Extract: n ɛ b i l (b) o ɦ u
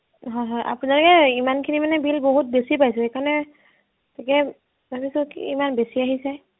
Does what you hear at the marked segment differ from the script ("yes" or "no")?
no